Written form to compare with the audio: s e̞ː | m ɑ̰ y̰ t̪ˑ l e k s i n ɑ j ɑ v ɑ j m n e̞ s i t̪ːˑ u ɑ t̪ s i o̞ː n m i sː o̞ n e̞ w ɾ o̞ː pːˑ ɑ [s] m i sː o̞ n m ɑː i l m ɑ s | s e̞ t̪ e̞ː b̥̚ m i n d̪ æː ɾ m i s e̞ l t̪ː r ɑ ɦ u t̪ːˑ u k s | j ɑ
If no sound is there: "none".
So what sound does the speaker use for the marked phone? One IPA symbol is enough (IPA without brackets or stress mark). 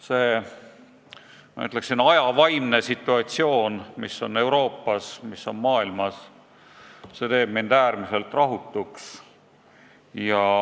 s